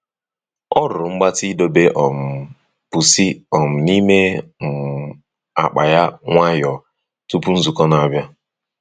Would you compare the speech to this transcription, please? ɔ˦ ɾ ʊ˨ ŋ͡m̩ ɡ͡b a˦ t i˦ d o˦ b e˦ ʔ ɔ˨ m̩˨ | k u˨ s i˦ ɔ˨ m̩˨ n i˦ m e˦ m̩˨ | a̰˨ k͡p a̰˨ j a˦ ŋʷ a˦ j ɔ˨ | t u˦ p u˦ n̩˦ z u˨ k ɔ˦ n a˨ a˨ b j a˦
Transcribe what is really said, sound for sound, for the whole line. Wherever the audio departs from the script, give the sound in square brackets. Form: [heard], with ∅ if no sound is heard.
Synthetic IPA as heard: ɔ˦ ɾ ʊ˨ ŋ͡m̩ ɡ͡b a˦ t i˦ d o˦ b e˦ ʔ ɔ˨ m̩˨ | [p] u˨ s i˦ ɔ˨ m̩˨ n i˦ m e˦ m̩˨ | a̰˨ k͡p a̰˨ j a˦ ŋʷ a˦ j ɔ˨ | t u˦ p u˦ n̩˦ z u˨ k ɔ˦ n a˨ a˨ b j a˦

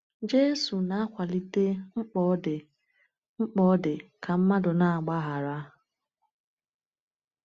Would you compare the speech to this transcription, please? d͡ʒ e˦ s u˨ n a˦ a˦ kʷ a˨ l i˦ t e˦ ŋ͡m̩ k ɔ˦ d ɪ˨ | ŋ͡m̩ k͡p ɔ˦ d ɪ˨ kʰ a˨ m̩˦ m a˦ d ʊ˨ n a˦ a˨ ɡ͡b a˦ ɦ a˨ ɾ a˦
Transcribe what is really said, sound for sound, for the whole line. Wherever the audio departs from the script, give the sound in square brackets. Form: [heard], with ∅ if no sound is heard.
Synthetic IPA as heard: d͡ʒ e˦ s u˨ n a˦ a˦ kʷ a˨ l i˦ t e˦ ŋ͡m̩ [k͡p] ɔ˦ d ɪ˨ | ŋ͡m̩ k͡p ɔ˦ d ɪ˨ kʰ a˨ m̩˦ m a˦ d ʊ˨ n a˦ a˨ ɡ͡b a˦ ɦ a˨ ɾ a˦

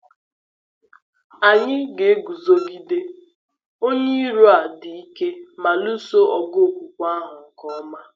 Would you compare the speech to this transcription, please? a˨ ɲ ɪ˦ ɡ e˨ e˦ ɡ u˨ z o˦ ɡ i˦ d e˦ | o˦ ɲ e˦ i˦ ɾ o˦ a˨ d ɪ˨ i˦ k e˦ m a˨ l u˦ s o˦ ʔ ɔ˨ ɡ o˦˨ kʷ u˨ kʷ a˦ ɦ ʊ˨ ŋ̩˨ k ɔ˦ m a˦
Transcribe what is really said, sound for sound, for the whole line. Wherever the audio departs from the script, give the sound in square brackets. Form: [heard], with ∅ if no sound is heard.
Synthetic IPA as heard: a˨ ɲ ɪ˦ ɡ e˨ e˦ ɡ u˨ z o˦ ɡ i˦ d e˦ | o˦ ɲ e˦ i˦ ɾ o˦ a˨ d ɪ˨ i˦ k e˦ m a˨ l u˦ s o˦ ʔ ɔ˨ ɡ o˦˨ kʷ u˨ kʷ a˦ ɦ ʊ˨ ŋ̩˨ k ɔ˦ m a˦

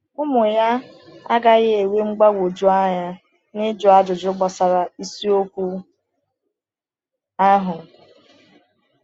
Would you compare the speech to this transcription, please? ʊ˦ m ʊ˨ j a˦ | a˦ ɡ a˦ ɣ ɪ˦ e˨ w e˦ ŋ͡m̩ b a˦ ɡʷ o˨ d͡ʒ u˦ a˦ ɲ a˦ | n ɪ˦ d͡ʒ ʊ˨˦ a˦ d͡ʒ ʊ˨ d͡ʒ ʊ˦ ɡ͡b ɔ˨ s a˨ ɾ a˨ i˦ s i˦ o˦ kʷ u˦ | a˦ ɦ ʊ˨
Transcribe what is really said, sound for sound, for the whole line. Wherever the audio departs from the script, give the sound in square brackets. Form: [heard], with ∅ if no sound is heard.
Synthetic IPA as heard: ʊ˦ m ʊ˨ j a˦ | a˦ ɡ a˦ ɣ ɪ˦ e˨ w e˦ ŋ͡m̩ [ɡ͡b] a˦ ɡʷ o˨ d͡ʒ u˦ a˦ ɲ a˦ | n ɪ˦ d͡ʒ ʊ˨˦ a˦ d͡ʒ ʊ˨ d͡ʒ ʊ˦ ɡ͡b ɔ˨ s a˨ ɾ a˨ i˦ s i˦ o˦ kʷ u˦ | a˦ ɦ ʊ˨

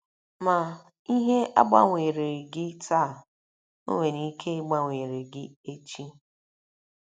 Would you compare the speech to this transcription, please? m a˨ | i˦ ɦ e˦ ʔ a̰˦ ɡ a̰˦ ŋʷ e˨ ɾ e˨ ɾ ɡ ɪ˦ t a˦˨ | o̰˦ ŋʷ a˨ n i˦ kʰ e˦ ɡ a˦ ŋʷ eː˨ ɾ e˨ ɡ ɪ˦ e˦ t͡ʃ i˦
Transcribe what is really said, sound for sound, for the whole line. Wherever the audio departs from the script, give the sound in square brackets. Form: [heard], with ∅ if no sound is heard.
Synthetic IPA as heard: m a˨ | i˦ ɦ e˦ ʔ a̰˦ [ɡ͡b] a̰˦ ŋʷ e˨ ɾ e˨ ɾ ɡ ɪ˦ t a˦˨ | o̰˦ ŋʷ [e˨] n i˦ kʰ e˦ [ɡ͡b] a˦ ŋʷ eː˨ ɾ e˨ ɡ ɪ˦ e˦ t͡ʃ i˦

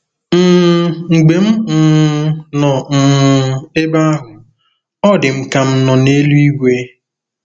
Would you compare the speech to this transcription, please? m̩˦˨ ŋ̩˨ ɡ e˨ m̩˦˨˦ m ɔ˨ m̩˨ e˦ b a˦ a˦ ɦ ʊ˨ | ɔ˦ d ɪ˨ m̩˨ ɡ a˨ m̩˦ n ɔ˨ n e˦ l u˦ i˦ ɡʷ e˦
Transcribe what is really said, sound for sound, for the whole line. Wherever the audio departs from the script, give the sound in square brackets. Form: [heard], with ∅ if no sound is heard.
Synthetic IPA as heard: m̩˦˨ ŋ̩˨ [ɡ͡b] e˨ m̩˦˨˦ [n] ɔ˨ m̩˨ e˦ b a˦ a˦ ɦ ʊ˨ | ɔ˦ d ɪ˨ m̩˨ [k] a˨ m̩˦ n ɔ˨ n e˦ l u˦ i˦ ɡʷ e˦

